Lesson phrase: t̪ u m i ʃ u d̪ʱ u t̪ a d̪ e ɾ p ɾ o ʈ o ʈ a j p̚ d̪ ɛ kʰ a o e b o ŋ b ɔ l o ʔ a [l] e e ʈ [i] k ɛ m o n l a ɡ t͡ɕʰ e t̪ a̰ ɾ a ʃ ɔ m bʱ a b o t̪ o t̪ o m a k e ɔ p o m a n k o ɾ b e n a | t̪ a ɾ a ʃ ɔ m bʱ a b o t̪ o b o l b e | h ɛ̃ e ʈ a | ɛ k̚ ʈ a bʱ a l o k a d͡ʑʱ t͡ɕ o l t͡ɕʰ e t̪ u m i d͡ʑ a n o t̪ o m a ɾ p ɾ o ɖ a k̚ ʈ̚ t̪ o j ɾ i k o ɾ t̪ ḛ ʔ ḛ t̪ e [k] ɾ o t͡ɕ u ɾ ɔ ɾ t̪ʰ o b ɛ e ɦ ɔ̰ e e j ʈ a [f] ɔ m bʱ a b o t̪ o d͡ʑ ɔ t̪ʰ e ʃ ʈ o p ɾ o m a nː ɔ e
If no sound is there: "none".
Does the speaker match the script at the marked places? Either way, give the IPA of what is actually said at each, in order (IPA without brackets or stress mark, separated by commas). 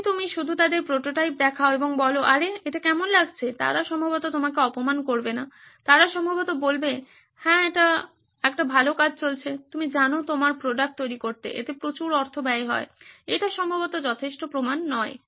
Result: ɾ, a, p, ʃ